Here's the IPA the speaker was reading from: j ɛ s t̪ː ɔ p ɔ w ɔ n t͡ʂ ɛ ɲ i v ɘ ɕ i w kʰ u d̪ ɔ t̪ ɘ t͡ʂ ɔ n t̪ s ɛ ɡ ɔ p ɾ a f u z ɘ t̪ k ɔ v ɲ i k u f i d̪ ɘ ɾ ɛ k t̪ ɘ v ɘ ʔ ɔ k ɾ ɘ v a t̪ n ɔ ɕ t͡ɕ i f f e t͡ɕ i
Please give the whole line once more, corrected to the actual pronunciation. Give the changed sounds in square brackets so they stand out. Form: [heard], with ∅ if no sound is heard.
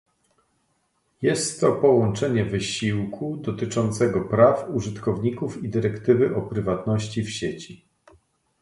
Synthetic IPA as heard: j ɛ s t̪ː ɔ p ɔ w ɔ n t͡ʂ ɛ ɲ [ɛ] v ɘ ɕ i w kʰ u d̪ ɔ t̪ ɘ t͡ʂ ɔ n t̪ s ɛ ɡ ɔ p ɾ a f u [ʐ] ɘ t̪ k ɔ v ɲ i k u f i d̪ ɘ ɾ ɛ k t̪ ɘ v ɘ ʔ ɔ [p] ɾ ɘ v a t̪ n ɔ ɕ t͡ɕ i f [ɕ] e t͡ɕ i